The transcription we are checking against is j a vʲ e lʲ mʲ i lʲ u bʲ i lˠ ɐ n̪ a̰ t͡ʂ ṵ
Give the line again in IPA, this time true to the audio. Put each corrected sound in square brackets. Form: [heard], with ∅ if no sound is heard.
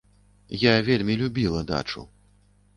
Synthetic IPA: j a vʲ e lʲ mʲ i lʲ u bʲ i lˠ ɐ [d̪] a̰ t͡ʂ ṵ